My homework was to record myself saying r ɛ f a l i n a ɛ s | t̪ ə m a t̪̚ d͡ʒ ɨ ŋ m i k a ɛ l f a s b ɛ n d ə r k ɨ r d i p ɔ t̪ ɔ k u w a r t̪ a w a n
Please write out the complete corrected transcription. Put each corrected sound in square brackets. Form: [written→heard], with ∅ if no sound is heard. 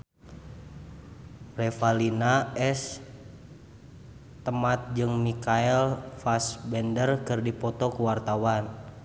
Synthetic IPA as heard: r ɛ f a l i n a ɛ s | t̪ ə m a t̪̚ d͡ʒ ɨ ŋ m i k a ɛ l f a s b ɛ n d ə r k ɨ r d i p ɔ t̪ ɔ k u w a r t̪ a w a n